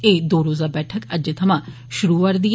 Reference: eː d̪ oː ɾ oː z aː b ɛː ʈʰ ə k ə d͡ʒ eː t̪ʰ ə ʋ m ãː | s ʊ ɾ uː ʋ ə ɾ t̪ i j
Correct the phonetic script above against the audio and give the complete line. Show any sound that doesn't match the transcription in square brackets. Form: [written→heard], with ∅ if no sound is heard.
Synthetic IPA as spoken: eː d̪ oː ɾ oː z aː b ɛː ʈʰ ə k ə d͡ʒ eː t̪ʰ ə [ʋ→∅] m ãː | [s→ʃ] ʊ ɾ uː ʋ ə ɾ [t̪→d̪] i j